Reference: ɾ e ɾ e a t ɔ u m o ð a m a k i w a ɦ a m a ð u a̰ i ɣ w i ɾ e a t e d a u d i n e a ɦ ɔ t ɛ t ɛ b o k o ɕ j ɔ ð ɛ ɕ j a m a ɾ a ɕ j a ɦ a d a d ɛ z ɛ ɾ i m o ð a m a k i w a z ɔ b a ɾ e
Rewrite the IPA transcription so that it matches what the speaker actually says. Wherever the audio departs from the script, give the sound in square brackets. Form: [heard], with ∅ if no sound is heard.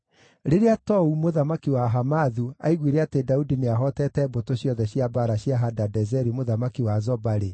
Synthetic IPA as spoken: ɾ e ɾ e a t ɔ u m o ð a m a k i w a ɦ a m a ð u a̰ i ɣ w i ɾ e a t e d a u d i n e a ɦ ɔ t ɛ t ɛ b o [t] o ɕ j ɔ ð ɛ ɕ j a [b] a ɾ a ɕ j a ɦ a d a d ɛ z ɛ ɾ i m o ð a m a k i w a z ɔ b a ɾ e